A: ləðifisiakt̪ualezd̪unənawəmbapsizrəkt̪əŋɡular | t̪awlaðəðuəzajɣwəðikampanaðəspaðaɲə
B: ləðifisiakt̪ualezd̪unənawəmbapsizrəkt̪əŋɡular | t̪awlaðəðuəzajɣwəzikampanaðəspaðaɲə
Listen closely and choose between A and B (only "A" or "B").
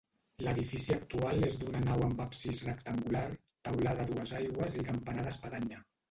B